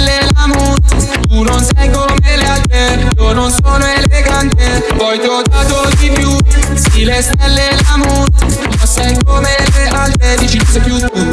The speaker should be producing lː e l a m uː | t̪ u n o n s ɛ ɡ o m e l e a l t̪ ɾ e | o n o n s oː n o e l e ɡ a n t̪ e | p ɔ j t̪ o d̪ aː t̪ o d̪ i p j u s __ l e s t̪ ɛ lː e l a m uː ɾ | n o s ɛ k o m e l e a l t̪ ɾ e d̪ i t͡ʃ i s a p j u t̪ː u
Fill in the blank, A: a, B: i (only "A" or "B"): B